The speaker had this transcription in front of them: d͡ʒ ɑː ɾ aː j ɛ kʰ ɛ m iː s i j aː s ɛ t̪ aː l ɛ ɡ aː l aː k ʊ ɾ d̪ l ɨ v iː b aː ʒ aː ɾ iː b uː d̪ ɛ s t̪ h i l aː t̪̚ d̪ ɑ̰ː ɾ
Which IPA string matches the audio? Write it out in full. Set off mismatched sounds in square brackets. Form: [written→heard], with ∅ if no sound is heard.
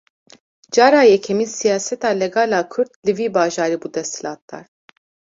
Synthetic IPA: d͡ʒ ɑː ɾ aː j ɛ kʰ ɛ m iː s i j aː s ɛ t̪ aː l ɛ ɡ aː l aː [k→kʰ] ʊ ɾ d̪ l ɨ v iː b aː ʒ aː ɾ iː b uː d̪ ɛ s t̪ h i l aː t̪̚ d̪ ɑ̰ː ɾ